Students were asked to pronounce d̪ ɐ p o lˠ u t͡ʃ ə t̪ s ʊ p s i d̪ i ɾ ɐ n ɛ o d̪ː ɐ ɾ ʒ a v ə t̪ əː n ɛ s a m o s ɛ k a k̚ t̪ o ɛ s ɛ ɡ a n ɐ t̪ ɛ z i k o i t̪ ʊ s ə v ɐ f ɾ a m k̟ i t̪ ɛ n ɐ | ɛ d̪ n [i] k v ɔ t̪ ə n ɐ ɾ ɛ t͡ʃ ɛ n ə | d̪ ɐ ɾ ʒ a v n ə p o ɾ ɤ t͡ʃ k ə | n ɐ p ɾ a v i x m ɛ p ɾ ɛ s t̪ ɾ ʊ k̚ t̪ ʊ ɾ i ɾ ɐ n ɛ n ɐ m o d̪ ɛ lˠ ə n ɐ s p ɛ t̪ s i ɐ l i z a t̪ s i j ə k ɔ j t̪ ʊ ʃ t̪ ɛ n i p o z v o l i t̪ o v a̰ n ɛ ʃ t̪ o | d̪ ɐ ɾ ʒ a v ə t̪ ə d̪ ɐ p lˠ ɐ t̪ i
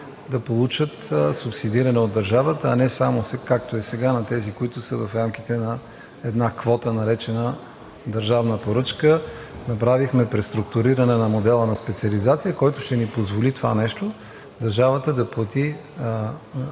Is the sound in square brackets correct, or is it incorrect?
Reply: incorrect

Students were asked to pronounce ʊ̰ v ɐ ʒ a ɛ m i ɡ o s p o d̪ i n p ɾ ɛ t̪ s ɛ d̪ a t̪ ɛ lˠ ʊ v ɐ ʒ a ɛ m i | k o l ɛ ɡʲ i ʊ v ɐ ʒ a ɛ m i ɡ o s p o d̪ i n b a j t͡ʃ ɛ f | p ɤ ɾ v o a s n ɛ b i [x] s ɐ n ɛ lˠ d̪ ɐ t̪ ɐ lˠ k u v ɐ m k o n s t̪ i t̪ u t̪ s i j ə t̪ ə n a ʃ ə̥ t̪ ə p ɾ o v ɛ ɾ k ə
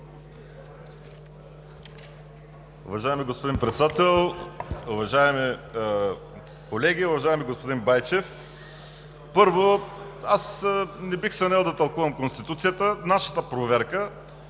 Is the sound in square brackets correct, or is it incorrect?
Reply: correct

